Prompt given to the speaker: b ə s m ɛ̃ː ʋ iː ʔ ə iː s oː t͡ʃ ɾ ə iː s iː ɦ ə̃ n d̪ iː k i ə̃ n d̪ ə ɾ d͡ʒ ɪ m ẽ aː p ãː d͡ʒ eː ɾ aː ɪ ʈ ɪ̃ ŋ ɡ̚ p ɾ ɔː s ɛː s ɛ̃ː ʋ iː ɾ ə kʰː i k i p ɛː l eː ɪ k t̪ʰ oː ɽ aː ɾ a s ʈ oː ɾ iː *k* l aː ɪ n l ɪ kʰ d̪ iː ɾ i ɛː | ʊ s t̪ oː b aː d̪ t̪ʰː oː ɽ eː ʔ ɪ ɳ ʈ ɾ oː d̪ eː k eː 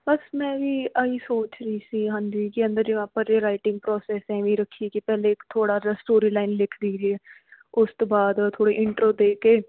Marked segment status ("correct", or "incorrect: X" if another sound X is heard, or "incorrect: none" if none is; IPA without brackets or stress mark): incorrect: none